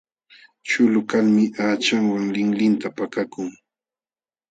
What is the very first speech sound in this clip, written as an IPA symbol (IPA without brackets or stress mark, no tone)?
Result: t͡ʃ